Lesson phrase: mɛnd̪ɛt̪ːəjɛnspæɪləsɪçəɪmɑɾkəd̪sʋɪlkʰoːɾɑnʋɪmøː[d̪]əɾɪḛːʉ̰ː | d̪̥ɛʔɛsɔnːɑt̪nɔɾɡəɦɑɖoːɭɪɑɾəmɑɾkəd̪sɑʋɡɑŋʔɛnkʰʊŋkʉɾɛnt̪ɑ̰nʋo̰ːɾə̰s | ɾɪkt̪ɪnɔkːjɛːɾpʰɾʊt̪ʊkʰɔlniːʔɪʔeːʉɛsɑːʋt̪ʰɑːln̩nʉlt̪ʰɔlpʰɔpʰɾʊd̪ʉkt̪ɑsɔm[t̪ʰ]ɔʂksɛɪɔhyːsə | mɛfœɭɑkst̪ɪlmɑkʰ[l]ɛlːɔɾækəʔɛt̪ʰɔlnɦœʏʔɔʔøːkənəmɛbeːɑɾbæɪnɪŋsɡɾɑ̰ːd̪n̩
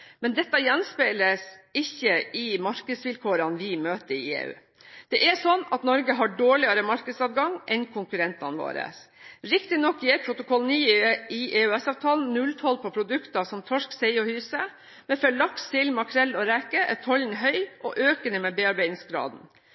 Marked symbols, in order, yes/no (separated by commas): no, yes, no